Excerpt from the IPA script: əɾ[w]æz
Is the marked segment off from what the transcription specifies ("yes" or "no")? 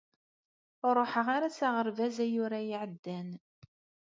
yes